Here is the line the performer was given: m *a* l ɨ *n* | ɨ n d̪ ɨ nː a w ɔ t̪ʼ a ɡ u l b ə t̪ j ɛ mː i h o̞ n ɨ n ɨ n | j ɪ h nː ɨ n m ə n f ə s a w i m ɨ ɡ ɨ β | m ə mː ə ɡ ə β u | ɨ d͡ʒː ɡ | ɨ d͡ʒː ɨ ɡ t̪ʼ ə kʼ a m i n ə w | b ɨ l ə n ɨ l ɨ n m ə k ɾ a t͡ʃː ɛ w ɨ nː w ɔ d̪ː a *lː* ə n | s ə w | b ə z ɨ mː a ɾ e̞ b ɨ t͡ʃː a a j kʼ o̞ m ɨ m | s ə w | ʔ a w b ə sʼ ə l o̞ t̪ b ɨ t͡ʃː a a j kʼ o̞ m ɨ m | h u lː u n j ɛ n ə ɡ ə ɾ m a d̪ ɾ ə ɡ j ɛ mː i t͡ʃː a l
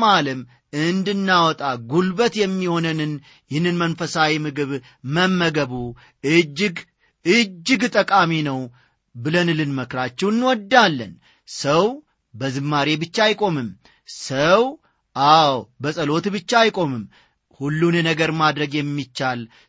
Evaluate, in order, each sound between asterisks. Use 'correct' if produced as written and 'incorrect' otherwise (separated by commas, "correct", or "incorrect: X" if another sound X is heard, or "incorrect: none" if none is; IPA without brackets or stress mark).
correct, incorrect: m, correct